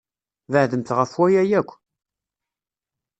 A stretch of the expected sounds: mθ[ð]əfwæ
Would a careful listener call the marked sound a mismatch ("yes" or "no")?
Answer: yes